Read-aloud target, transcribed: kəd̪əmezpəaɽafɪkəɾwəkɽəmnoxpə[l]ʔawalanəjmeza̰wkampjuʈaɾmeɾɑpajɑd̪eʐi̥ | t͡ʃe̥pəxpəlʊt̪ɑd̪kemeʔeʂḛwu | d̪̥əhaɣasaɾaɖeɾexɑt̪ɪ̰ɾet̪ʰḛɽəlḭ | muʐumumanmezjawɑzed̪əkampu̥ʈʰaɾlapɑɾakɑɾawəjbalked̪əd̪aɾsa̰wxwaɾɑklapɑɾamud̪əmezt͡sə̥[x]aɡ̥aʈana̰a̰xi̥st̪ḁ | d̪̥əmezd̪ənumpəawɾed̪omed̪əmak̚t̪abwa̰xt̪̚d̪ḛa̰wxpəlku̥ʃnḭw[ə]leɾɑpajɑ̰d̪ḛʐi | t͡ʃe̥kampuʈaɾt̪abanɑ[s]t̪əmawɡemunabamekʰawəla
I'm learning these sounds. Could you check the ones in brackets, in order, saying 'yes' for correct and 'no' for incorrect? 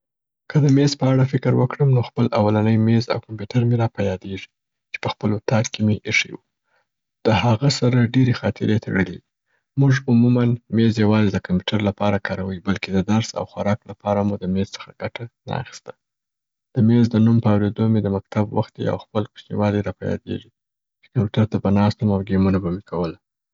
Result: yes, yes, no, yes

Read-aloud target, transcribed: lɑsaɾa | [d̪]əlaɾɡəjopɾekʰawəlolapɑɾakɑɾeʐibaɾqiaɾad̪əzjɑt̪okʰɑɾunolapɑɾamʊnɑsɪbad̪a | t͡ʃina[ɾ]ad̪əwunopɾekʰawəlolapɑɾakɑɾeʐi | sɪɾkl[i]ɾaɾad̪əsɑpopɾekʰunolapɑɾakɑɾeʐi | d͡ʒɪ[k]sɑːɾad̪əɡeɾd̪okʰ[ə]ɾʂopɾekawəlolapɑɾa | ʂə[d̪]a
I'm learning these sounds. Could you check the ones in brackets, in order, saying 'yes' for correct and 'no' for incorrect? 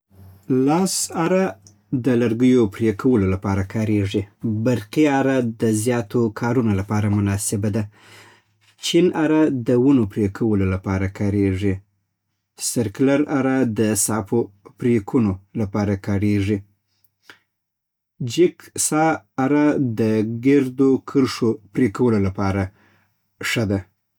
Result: yes, yes, no, yes, yes, yes

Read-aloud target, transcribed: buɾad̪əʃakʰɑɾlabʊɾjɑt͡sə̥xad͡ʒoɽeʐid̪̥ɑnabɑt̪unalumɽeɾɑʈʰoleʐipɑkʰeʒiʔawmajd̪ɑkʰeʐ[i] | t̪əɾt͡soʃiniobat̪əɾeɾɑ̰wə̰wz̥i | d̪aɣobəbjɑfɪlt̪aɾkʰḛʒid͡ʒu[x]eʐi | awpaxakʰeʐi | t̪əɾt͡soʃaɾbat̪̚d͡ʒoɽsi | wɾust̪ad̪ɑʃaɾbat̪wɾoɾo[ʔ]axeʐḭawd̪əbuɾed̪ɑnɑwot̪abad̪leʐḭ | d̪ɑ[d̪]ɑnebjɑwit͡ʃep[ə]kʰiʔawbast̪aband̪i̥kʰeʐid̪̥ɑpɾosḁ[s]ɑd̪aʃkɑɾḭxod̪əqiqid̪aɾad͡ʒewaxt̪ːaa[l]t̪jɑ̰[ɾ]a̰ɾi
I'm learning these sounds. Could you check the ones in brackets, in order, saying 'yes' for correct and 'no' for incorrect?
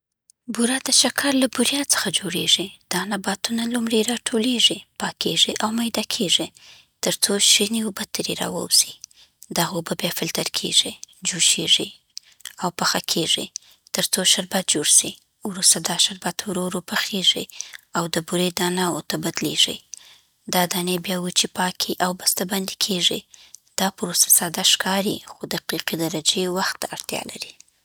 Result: yes, no, no, yes, no, yes, no, no

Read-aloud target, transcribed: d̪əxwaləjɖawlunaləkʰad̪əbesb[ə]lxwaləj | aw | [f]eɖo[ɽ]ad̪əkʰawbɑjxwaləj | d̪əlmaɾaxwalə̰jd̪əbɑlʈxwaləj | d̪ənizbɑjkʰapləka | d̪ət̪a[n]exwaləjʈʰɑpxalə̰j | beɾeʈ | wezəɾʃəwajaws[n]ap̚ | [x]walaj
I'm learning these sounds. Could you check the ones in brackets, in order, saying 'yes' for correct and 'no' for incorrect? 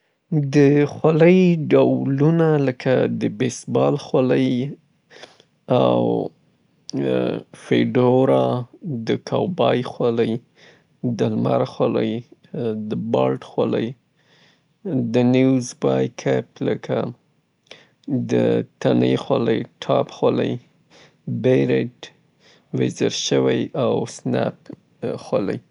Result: no, yes, no, yes, yes, yes

